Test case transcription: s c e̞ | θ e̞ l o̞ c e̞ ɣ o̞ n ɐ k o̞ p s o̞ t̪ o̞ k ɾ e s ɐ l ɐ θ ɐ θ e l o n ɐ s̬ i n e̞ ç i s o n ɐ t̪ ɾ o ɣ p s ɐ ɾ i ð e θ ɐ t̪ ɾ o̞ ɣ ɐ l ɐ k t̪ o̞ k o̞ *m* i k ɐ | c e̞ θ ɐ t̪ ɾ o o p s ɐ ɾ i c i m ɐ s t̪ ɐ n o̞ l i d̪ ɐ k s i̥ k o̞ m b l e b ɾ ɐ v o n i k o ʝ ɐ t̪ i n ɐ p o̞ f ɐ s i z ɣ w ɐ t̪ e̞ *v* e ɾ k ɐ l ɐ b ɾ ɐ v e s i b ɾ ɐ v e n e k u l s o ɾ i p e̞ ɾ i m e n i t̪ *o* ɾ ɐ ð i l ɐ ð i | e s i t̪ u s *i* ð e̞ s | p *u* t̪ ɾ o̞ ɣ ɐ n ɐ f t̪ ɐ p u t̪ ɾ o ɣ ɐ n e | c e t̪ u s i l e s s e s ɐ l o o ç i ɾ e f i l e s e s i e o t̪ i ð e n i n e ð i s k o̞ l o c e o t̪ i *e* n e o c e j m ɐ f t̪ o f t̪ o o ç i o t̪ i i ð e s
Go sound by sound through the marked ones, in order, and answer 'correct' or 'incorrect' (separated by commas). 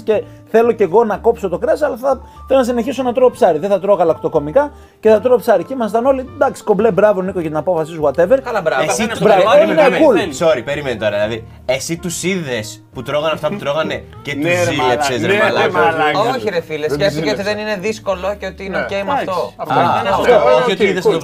correct, correct, correct, correct, correct, incorrect